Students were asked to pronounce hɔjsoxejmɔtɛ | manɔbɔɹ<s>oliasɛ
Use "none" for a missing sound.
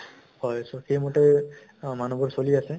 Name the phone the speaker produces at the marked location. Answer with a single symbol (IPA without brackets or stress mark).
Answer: s